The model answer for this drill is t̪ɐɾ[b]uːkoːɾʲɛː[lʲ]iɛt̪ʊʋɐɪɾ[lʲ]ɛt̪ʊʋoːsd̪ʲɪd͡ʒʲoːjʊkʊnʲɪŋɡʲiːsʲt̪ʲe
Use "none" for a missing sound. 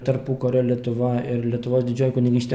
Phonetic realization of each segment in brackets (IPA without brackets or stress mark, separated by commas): p, lʲ, lʲ